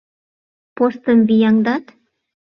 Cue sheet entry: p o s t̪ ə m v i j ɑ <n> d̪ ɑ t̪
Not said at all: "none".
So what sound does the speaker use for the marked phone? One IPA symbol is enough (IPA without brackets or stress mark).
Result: ŋ